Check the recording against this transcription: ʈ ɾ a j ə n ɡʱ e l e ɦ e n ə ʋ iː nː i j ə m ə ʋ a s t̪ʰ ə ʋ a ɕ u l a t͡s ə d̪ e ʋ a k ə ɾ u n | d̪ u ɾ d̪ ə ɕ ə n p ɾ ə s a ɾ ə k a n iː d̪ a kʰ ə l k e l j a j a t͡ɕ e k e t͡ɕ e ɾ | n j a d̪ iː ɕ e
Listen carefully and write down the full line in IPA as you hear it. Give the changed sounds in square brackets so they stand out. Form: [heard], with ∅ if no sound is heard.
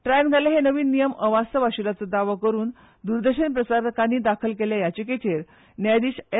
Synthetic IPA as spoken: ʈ ɾ a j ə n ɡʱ [a] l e ɦ e n ə ʋ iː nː i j ə m ə ʋ a s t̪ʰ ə ʋ a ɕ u l a t͡s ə d̪ [a] ʋ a k ə ɾ [uː] n | d̪ u ɾ d̪ ə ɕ ə n p ɾ ə s a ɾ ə k a n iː d̪ a kʰ ə l k e l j a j a t͡ɕ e k e t͡ɕ e ɾ | n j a d̪ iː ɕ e